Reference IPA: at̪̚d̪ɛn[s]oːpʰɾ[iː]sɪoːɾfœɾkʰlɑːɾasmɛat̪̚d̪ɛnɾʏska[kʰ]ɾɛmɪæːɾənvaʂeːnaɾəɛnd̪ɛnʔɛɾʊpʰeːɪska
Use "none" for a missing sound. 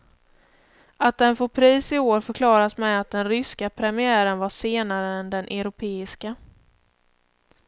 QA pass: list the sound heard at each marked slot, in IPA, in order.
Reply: f, iː, pʰ

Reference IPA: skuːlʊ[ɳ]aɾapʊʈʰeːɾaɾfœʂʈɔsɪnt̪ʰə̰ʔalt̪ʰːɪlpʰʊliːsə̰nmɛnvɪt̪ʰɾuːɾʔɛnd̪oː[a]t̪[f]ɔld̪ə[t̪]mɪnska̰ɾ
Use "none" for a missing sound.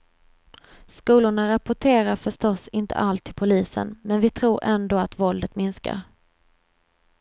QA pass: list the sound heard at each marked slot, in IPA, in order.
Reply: ɳ, a, v, t̪

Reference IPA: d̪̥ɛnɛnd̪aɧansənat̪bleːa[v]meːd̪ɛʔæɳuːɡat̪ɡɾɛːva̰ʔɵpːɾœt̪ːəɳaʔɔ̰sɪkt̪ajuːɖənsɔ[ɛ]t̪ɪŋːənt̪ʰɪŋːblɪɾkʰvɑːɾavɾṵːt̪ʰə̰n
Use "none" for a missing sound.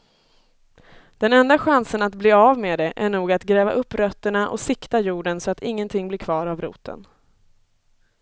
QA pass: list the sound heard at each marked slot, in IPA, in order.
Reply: v, a

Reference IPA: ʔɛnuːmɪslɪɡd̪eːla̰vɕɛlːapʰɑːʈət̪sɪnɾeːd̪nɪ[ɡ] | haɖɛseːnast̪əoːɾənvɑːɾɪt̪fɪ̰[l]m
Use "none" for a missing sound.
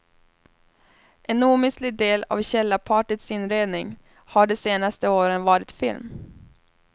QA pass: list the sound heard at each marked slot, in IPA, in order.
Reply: ŋ, l

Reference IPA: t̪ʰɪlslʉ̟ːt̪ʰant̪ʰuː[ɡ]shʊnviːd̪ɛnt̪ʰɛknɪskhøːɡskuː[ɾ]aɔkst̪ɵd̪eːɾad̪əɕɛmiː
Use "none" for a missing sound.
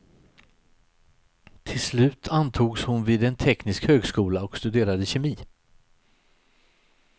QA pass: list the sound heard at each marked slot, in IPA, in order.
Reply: ɡ, l

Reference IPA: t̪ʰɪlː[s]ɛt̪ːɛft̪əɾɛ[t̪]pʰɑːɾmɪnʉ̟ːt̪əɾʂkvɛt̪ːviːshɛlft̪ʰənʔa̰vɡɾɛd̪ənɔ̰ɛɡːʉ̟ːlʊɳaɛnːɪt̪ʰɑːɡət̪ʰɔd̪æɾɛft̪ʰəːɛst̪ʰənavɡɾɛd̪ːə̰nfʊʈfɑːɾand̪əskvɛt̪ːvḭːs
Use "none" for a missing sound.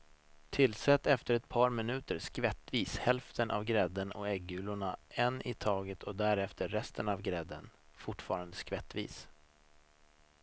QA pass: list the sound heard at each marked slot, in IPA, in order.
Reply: s, t̪

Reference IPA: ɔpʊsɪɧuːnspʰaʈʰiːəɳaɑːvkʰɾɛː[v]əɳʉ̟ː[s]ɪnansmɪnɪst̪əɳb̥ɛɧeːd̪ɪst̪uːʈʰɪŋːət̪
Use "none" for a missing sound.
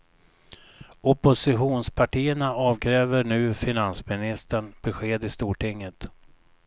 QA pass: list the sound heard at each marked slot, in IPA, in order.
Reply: v, f

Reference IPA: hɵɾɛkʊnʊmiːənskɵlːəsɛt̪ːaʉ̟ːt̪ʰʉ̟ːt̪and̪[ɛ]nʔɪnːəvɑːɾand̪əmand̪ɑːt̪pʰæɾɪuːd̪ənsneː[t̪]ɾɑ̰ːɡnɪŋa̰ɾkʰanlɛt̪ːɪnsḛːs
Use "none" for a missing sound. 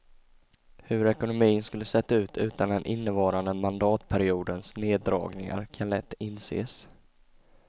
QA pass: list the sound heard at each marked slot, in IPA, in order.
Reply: ɛ, d̪

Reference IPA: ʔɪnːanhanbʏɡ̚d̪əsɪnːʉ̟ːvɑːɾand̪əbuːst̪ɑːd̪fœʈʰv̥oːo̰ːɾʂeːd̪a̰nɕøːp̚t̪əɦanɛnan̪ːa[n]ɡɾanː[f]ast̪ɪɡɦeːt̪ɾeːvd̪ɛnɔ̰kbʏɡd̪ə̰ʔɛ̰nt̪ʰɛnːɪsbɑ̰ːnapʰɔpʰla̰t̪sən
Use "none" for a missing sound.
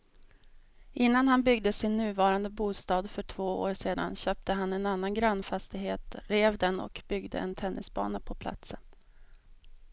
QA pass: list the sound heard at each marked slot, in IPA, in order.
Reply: n, f

